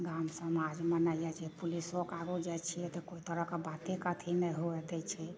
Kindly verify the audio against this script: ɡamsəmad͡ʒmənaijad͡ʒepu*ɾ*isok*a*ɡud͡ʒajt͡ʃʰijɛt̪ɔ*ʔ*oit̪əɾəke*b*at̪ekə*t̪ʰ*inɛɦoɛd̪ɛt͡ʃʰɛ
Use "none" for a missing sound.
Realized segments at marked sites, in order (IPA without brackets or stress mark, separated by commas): l, a, k, b, t̪ʰ